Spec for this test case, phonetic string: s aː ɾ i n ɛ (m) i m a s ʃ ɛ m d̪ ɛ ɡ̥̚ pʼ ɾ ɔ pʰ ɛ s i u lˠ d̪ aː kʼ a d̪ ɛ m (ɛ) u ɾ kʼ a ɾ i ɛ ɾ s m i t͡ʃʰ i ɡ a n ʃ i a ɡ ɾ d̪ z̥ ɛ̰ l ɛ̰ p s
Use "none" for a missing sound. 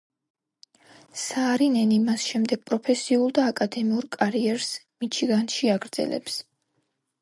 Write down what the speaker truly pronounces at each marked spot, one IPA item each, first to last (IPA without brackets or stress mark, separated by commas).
n, i